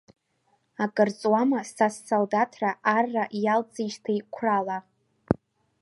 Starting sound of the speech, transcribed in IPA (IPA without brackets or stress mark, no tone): a